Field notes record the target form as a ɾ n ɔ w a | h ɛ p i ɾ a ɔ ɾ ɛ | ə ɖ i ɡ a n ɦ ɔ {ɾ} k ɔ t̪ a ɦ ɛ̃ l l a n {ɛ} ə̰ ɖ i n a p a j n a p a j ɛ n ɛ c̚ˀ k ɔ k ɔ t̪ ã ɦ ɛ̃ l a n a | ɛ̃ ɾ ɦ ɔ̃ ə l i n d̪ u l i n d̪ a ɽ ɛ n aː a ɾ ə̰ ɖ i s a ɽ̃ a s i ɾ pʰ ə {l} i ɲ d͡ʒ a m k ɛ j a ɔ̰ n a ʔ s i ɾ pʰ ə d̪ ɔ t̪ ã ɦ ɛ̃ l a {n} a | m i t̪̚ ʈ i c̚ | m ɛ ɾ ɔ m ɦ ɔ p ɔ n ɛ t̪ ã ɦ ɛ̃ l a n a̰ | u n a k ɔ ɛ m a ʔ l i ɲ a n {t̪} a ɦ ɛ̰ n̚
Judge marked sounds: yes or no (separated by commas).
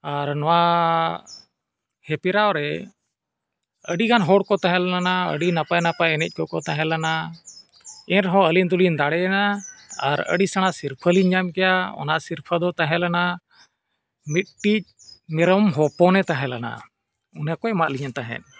no, no, yes, yes, yes